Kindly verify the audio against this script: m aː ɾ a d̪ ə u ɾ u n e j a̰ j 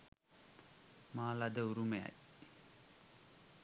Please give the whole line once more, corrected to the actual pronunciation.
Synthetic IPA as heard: m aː l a d̪ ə u ɾ u m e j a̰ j